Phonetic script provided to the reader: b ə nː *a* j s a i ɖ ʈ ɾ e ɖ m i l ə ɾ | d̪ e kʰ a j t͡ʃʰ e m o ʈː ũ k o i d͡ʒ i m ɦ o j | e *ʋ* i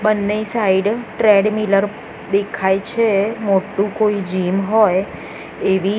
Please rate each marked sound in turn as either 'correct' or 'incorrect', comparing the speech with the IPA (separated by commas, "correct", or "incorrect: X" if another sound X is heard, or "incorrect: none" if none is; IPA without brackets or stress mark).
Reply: incorrect: e, correct